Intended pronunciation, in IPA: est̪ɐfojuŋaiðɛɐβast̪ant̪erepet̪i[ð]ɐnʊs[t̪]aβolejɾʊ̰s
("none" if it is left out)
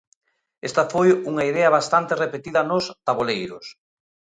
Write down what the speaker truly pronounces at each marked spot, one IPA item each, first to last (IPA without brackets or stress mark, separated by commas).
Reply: ð, t̪